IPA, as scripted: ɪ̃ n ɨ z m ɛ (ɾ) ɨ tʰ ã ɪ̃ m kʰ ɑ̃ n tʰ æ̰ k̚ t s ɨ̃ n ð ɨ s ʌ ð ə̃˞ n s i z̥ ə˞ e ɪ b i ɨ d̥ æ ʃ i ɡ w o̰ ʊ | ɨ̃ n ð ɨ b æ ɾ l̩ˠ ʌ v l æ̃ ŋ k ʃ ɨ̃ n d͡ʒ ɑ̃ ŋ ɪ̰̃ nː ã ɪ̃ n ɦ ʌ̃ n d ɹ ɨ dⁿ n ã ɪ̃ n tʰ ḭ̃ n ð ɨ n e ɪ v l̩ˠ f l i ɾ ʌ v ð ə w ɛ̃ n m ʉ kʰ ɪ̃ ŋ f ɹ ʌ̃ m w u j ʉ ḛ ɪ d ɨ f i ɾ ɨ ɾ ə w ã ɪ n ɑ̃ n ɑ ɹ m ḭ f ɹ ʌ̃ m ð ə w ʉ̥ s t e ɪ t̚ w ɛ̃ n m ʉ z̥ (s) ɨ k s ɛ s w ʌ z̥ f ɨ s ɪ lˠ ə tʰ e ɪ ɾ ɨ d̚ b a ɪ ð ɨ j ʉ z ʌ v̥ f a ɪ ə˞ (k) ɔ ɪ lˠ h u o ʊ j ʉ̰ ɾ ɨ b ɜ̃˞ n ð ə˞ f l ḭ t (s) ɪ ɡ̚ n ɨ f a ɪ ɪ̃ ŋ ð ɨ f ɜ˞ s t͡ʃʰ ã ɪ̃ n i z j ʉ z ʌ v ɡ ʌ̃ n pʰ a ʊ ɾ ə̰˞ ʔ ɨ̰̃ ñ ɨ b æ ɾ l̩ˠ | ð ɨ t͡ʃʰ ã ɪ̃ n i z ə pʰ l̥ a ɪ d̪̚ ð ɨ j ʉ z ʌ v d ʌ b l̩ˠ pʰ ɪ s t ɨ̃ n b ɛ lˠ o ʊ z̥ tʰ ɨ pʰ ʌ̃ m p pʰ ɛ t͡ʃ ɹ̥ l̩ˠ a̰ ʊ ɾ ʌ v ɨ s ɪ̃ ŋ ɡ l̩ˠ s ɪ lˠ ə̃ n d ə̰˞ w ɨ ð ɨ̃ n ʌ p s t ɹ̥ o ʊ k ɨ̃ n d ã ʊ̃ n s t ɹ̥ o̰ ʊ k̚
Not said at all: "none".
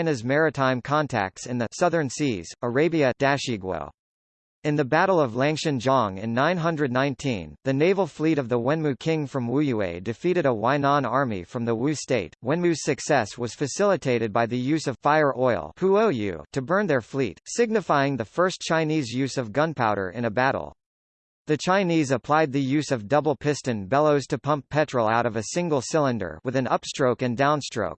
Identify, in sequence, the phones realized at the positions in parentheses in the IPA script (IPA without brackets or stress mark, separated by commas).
ɹ, s, ʔ, s